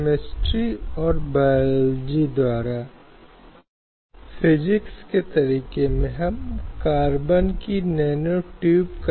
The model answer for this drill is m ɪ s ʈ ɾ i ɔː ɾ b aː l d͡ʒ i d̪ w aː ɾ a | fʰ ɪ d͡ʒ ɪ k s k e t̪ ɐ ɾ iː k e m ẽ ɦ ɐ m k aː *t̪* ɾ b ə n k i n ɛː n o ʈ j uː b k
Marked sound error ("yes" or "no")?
yes